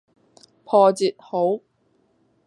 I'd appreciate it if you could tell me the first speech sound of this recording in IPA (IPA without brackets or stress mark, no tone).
pʰ